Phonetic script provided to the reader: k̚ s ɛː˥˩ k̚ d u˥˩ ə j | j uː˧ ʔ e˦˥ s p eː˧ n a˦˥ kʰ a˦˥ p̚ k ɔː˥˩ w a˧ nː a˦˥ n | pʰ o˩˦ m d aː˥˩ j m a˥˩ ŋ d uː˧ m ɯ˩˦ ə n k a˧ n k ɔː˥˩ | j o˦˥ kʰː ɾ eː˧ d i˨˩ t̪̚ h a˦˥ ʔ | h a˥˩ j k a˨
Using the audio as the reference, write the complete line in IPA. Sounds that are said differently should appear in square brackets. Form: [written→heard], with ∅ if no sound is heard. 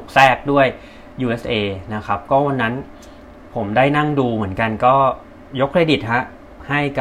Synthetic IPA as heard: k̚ s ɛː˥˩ k̚ d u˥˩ ə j | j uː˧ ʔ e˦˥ s [p→ʔ] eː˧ n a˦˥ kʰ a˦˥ p̚ k ɔː˥˩ w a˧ nː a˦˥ n | pʰ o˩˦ m d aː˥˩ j [m→n] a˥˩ ŋ d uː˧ m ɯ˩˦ ə n k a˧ n k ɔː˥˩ | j o˦˥ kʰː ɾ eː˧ d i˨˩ t̪̚ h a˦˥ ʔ | h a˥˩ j k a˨